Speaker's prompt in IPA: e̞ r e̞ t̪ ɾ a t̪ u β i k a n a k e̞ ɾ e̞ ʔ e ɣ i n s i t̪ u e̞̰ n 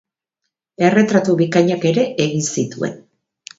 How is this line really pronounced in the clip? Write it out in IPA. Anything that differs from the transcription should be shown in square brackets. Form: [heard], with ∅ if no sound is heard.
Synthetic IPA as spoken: e̞ r e̞ t̪ ɾ a t̪ u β i k a [ɲ] a k e̞ ɾ e̞ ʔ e ɣ i n s i t̪ u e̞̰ n